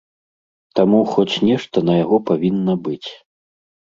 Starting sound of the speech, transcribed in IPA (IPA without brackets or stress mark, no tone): t̪